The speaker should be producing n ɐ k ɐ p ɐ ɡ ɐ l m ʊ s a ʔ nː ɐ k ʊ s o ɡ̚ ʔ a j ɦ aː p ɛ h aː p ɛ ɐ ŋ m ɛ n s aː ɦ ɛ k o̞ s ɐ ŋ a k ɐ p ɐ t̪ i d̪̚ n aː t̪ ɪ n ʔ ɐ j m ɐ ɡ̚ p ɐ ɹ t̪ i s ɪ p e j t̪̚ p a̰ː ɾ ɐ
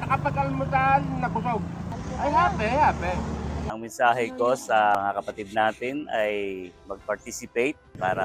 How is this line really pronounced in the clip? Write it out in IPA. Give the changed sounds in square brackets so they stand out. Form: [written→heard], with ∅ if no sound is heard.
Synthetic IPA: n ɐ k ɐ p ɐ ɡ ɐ l m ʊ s a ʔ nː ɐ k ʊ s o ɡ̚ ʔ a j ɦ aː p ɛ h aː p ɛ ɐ ŋ m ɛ n s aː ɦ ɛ k o̞ s ɐ ŋ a k ɐ p ɐ t̪ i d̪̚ n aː t̪ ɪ n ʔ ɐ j m ɐ ɡ̚ p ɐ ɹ t̪ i s ɪ p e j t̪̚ p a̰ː ɾ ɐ

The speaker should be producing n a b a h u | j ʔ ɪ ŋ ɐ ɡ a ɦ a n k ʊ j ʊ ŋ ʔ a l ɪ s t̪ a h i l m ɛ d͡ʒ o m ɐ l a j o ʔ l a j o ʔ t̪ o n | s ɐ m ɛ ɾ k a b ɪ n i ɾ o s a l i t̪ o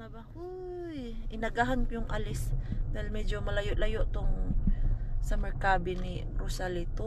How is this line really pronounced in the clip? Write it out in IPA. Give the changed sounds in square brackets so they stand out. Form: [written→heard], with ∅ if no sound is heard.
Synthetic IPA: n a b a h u | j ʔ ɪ [ŋ→n] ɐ ɡ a ɦ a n k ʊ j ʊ ŋ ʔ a l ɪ s [t̪→d̪] a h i l m ɛ d͡ʒ o m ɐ l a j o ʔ l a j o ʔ t̪ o [n→ŋ] | s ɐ m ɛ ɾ k a b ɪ n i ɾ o s a l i t̪ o

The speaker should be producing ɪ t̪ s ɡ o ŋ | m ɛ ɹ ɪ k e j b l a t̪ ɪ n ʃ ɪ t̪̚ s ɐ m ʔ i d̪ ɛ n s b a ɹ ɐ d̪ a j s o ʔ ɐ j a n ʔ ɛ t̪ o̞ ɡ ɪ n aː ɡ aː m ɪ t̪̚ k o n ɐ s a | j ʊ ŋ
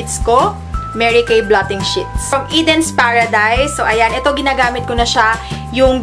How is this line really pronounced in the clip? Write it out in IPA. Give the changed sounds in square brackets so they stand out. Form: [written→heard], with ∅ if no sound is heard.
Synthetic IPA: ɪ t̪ s [ɡ→k] o [ŋ→∅] | m ɛ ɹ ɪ k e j b l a t̪ ɪ [n→ŋ] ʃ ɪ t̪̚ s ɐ m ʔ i d̪ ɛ n s [b→p] a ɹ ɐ d̪ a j s o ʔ ɐ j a n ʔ ɛ t̪ o̞ ɡ ɪ n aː ɡ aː m ɪ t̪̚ k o n ɐ [s→ʃ] a | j ʊ ŋ

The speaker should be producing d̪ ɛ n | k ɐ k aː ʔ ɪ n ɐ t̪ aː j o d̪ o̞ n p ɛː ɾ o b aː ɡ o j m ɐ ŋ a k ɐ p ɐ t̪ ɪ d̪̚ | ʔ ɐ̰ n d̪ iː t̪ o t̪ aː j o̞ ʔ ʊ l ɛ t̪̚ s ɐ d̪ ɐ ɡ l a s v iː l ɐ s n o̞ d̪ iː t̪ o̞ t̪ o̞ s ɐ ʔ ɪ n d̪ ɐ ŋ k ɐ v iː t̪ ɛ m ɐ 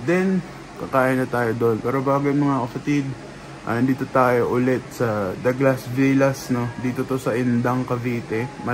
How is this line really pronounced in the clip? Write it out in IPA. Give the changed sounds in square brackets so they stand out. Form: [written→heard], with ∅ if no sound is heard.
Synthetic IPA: d̪ ɛ n | k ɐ k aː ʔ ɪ n ɐ t̪ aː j o d̪ o̞ n p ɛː ɾ o b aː ɡ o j m ɐ ŋ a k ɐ p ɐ t̪ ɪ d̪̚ | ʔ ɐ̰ n d̪ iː t̪ o t̪ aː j o̞ ʔ ʊ l ɛ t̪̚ s ɐ d̪ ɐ ɡ l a s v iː l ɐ s n o̞ d̪ iː t̪ o̞ t̪ o̞ s ɐ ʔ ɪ n d̪ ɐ ŋ k ɐ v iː t̪ ɛ m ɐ

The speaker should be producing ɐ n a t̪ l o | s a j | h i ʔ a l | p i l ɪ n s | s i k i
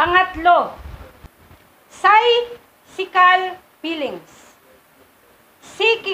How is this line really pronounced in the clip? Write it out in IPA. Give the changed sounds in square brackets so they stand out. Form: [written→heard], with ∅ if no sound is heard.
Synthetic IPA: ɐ [n→ŋ] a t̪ l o | s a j | [h→s] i [ʔ→k] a l | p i l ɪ [n→ŋ] s | s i k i

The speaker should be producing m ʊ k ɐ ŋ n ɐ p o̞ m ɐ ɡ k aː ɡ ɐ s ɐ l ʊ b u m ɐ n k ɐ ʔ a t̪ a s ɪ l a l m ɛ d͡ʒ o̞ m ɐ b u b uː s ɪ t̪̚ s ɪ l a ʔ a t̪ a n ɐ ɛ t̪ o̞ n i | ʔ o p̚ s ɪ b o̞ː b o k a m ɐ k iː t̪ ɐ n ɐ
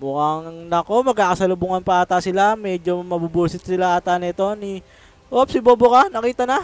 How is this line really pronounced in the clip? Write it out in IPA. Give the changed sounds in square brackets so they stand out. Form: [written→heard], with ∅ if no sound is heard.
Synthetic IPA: m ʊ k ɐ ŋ n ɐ [p→k] o̞ m ɐ ɡ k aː [ɡ→k] ɐ s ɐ l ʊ b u [m→ŋ] ɐ n [k→p] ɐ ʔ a t̪ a s ɪ l a [l→∅] m ɛ d͡ʒ o̞ m ɐ b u b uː s ɪ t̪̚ s ɪ l a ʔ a t̪ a n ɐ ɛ t̪ o̞ n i | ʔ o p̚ s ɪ b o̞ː b o k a [m→n] ɐ k iː t̪ ɐ n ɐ

